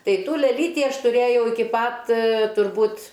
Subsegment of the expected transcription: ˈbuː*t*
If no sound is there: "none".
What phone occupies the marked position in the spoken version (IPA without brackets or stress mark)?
t